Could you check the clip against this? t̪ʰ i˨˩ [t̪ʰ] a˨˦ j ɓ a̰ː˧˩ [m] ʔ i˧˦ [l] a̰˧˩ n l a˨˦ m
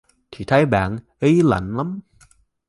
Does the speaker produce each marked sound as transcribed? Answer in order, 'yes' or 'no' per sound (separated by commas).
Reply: yes, no, yes